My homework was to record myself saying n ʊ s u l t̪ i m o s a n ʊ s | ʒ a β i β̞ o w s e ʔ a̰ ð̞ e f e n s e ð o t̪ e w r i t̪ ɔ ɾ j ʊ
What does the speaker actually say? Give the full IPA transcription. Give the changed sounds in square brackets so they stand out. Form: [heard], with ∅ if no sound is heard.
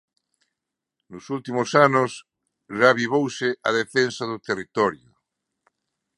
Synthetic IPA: n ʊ s u l t̪ i m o s a n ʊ s | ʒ a β i β̞ o w s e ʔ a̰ ð̞ e f e n s [a] ð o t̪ e [∅] r i t̪ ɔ ɾ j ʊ